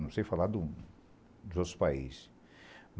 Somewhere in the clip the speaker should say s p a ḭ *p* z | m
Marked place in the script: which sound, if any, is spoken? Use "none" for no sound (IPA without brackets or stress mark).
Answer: none